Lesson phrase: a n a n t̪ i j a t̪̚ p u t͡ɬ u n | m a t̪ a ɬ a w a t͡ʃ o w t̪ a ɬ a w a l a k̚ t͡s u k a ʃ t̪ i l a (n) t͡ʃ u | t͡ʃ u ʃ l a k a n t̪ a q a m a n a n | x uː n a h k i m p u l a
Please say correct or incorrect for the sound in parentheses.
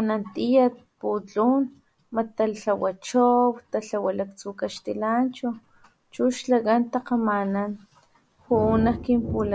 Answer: correct